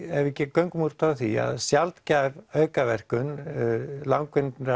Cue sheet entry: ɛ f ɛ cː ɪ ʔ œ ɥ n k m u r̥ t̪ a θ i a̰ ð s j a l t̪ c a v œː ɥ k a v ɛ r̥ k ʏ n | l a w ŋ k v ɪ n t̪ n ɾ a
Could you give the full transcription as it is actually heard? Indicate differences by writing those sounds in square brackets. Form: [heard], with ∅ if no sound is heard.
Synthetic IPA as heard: ɛ [v] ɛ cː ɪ [k] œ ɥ [ŋ] k m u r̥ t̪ a θ i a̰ ð s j a l t̪ c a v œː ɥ k a v ɛ r̥ k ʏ n | l a w ŋ k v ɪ n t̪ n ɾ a